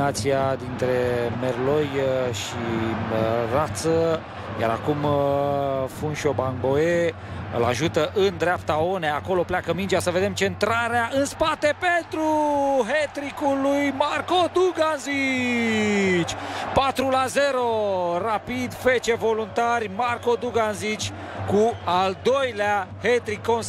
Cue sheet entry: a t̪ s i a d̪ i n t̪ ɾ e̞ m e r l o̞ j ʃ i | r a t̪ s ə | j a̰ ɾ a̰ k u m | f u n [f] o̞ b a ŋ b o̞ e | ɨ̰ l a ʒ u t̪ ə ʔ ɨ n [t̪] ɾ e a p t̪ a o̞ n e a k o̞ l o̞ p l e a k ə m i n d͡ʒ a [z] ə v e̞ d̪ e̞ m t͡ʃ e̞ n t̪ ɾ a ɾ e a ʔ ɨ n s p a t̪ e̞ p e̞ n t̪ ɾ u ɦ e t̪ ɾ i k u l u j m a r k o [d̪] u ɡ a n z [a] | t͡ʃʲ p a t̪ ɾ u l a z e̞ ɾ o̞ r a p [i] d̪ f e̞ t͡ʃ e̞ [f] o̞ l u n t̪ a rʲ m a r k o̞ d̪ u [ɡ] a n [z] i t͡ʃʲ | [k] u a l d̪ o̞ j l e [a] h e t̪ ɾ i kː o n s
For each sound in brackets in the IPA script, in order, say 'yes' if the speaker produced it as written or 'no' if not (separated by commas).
no, no, no, yes, no, yes, no, yes, yes, yes, yes